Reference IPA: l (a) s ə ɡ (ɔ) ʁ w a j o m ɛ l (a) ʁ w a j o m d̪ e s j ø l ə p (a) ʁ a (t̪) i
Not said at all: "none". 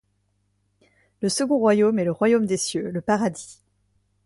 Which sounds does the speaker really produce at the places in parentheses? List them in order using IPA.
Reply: ə, ɔ̃, ə, a, d̪

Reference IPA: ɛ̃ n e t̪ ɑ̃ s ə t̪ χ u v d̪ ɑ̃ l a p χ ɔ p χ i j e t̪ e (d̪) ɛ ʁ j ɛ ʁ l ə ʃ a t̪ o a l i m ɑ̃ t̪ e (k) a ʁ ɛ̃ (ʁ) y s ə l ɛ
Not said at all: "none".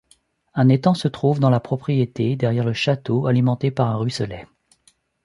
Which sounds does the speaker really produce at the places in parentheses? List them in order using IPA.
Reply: d̪, p, ʁ

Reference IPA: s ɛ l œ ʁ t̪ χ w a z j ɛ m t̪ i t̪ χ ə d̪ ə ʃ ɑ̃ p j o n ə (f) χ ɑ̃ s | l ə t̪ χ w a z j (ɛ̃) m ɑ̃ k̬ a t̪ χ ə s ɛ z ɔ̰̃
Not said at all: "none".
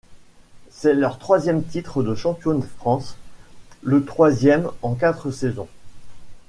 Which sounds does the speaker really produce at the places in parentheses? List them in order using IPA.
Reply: f, ɛ

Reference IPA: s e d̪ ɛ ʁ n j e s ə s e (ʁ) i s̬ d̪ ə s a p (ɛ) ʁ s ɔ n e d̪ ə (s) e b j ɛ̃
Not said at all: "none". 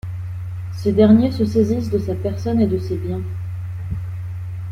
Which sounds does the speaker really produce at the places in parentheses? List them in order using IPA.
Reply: z, ɛ, s

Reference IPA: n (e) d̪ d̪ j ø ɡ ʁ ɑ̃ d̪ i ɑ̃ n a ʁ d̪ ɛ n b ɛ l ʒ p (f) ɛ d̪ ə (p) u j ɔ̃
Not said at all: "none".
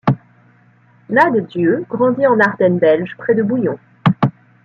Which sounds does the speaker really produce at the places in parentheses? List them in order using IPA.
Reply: a, χ, b

